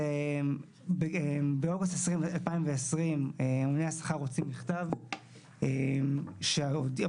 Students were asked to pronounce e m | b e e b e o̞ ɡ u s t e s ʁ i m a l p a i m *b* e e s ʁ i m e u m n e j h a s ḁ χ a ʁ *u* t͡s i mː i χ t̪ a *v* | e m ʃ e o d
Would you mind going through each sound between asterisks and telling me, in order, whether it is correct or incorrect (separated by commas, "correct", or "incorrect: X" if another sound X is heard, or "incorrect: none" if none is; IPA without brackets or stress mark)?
incorrect: v, incorrect: o, correct